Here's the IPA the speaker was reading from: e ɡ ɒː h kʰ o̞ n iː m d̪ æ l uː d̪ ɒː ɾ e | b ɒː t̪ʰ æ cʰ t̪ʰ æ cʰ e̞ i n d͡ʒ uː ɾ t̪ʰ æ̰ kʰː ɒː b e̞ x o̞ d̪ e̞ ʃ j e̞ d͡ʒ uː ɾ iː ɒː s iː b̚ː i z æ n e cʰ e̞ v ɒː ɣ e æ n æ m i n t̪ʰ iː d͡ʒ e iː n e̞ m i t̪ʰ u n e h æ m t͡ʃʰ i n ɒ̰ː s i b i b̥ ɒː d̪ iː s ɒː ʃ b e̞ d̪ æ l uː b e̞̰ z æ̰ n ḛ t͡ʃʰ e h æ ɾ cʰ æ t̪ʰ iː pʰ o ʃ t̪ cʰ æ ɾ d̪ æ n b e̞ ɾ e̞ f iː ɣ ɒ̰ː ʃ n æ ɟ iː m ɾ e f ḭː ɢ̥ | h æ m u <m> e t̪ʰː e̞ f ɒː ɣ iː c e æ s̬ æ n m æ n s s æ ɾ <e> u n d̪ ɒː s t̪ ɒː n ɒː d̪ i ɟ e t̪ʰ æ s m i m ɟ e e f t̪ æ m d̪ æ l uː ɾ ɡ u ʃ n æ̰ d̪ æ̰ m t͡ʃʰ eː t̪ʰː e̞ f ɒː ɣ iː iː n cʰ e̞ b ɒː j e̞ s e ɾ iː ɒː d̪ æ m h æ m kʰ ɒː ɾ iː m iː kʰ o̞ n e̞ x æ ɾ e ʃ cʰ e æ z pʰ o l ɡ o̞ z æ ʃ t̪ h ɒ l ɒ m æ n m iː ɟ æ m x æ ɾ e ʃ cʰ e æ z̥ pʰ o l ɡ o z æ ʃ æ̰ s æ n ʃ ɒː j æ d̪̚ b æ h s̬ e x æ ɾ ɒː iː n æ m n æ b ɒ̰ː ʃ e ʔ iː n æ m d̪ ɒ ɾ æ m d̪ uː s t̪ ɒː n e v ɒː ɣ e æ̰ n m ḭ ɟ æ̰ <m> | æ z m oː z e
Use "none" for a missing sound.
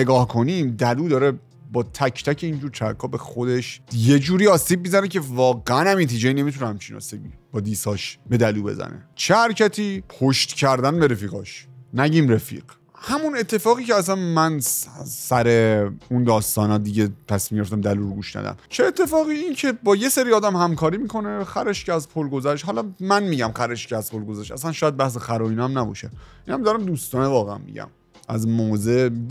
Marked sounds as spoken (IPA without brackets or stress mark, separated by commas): n, e, m